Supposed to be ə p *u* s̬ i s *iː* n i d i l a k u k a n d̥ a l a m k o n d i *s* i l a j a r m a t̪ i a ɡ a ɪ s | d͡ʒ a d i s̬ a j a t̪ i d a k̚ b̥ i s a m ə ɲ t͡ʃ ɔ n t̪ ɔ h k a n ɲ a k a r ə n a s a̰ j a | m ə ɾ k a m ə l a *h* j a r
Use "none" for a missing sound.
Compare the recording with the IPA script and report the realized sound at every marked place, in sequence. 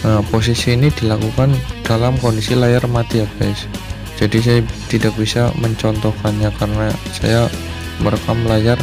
o, iː, s, none

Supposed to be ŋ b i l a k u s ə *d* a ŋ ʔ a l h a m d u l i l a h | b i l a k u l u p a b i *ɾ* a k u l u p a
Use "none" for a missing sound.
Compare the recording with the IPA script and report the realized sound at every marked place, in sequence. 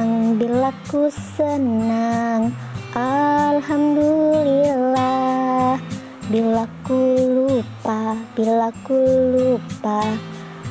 n, l

